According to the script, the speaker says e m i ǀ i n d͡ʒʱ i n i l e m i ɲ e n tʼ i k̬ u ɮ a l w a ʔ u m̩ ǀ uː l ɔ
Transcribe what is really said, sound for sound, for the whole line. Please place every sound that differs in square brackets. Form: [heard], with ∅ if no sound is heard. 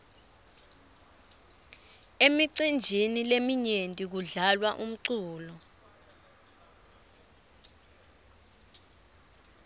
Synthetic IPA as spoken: e m i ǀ i n d͡ʒʱ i n i l e m i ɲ e n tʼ i k̬ u ɮ a l w a ʔ u m̩ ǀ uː l ɔ